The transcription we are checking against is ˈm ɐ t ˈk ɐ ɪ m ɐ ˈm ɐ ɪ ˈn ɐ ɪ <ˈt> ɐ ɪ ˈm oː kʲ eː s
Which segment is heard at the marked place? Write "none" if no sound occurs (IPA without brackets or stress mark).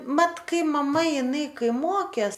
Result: k